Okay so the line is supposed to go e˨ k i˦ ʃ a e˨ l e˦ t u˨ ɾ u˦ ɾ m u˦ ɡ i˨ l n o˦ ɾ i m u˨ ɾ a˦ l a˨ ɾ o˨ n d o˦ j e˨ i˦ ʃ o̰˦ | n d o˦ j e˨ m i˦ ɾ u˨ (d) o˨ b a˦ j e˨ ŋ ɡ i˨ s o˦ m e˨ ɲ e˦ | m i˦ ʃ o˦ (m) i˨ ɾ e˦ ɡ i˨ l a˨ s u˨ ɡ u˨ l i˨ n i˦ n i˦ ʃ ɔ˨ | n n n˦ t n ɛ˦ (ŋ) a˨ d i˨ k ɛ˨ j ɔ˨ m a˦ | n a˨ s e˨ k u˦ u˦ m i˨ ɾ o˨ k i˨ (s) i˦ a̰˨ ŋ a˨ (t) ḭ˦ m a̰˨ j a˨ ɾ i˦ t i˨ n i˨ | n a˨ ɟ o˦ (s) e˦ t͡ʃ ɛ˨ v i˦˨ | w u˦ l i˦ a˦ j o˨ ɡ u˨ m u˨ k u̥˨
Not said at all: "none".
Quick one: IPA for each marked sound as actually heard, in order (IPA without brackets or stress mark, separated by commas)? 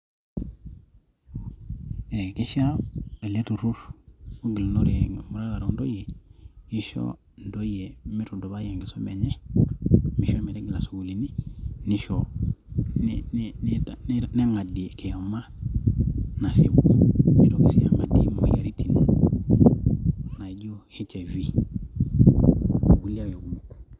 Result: d, m, ŋ, s, d, h